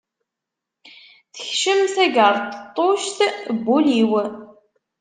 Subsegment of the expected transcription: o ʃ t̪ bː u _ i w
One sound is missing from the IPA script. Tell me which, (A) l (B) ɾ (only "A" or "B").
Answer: A